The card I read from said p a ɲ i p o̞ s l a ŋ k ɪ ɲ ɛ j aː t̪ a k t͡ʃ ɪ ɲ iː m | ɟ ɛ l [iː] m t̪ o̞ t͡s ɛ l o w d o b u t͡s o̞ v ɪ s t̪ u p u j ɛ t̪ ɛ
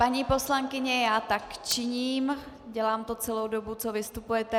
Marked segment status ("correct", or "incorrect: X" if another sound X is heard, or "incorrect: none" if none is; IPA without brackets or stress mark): incorrect: aː